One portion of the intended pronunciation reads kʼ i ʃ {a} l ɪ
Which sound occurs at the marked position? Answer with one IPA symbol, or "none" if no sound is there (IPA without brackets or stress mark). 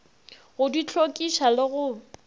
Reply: a